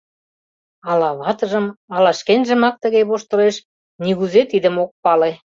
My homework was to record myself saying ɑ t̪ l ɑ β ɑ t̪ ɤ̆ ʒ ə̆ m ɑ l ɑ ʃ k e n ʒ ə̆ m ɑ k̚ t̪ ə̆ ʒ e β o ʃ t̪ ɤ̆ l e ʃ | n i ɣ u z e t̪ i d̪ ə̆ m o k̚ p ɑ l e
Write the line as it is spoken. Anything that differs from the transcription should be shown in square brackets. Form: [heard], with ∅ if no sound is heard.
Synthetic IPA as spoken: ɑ [∅] l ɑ β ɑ t̪ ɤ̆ ʒ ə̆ m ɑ l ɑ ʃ k e n ʒ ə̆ m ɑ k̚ t̪ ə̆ [ɣ] e β o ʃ t̪ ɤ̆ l e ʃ | n i ɣ u z e t̪ i d̪ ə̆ m o k̚ p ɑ l e